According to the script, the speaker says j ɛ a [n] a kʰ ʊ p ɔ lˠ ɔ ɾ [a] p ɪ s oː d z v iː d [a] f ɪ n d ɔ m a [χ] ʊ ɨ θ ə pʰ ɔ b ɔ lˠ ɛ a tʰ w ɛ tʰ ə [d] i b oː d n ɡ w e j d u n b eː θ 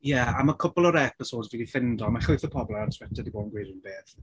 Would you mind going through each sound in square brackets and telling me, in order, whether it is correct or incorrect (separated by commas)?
incorrect, incorrect, incorrect, correct, correct